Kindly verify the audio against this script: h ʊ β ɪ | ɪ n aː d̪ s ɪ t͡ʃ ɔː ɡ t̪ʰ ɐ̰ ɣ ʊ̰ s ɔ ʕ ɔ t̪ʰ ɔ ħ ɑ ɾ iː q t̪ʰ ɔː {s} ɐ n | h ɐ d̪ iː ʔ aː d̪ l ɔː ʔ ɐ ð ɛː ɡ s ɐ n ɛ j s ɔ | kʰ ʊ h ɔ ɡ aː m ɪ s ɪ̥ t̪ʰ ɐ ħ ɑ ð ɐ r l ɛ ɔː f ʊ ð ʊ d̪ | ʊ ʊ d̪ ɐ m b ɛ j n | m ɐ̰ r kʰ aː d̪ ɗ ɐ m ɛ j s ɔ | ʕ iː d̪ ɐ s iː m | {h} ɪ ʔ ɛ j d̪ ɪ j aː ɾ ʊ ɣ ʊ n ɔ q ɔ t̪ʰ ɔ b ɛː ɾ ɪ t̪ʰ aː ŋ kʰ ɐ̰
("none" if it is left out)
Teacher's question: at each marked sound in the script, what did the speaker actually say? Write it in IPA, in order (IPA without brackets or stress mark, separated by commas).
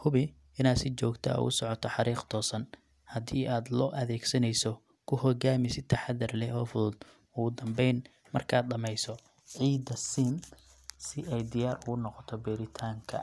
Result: s, s